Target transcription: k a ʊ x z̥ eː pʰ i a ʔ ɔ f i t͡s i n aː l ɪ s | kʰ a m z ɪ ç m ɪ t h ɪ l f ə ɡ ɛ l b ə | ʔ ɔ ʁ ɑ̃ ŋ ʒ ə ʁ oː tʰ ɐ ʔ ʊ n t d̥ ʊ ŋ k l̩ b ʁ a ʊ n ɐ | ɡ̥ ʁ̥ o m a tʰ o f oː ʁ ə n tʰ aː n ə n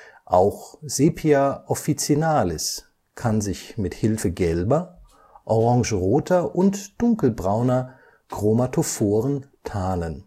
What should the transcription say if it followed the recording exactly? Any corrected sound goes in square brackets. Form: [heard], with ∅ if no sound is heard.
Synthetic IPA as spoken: [ʔ] a ʊ x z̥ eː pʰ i a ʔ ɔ f i t͡s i n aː l ɪ s | kʰ a [n] z ɪ ç m ɪ t h ɪ l f ə ɡ ɛ l b [ɐ] | ʔ ɔ ʁ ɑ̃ ŋ ʒ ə ʁ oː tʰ ɐ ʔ ʊ n t d̥ ʊ ŋ k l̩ b ʁ a ʊ n ɐ | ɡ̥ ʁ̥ o m a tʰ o f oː ʁ ə n tʰ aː n ə n